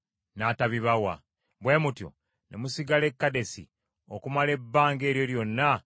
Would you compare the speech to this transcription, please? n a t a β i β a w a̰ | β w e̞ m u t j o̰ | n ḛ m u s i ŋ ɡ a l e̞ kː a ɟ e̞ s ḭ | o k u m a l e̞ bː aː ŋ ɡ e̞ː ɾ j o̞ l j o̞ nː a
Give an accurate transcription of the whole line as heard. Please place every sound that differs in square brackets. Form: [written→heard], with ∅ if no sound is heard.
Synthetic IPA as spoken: n a t a β i β a w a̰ | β w e̞ m u t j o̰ | n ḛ m u s i [ŋ→∅] ɡ a l e̞ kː a [ɟ→d] e̞ s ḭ | o k u m a l e̞ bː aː ŋ ɡ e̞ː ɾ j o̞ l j o̞ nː a